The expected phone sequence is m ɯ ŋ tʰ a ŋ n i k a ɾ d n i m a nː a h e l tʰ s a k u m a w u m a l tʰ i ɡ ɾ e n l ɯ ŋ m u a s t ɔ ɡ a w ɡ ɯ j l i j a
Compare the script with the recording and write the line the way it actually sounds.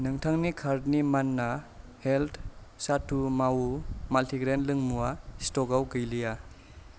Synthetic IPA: n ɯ ŋ tʰ a ŋ n i kʰ a ɾ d n i m a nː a h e l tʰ s a t u m a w u m a l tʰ i ɡ ɾ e n l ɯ ŋ m u a s t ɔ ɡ a w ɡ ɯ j l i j a